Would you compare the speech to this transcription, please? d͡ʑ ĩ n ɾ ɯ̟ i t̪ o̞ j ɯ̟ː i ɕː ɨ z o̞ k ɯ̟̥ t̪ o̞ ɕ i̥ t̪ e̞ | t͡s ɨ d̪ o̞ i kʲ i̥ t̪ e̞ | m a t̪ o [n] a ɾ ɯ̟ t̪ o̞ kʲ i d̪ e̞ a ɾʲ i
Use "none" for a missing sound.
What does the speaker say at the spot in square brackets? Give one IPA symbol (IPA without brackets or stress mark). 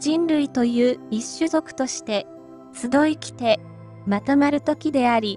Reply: m